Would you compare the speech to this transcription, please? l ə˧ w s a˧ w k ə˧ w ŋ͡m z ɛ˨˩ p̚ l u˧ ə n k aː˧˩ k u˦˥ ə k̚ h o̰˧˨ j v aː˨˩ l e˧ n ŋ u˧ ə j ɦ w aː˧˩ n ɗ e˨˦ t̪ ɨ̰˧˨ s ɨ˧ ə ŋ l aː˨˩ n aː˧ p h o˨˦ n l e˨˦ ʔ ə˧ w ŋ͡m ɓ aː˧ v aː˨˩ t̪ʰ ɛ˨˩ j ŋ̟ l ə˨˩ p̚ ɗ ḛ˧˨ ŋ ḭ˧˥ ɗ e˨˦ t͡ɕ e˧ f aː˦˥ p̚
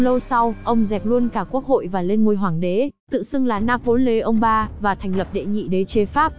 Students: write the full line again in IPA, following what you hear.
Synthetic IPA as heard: l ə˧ w s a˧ w ʔ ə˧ w ŋ͡m z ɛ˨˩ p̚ l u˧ ə n k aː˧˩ k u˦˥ ə k̚ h o̰˧˨ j v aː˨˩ l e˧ n ŋ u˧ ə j ɦ w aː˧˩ ŋ ɗ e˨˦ t̪ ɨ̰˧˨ s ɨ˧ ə ŋ l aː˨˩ n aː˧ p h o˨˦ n l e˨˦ ʔ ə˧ w ŋ͡m ɓ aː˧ v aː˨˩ t̪ʰ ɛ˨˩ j ŋ̟ l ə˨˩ p̚ ɗ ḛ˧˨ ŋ ḭ˧˨ ɗ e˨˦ t͡ɕ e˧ f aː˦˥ p̚